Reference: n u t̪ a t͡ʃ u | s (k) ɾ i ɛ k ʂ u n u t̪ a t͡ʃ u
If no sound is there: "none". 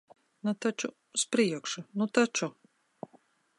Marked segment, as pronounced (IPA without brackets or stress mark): p